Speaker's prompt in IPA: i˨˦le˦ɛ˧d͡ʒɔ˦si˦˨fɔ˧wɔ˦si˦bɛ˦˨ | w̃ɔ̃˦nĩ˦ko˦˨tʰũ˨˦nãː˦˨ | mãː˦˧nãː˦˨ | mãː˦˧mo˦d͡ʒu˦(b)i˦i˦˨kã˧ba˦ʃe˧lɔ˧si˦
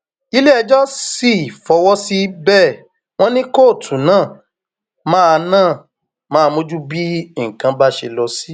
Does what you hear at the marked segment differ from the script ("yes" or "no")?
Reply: no